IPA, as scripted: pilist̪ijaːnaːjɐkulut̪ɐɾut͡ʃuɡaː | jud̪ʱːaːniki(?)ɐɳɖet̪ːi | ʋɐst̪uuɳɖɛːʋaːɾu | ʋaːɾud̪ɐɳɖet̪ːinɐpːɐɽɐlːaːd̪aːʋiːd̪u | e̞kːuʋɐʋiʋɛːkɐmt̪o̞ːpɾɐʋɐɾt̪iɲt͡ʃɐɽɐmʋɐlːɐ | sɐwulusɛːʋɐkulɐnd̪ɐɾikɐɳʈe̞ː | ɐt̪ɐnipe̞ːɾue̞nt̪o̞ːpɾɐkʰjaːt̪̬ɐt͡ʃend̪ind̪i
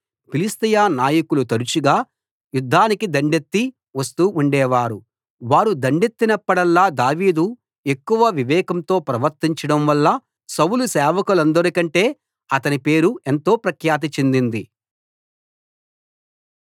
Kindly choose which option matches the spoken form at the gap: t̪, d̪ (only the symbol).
d̪